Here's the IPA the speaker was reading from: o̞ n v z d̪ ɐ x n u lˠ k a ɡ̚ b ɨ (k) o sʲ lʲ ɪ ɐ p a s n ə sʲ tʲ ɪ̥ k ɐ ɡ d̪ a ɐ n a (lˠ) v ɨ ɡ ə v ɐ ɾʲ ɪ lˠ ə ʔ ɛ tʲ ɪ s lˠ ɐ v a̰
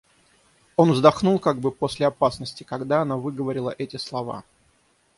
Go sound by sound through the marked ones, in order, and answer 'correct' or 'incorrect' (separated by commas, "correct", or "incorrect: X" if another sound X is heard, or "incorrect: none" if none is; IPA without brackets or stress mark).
incorrect: p, incorrect: none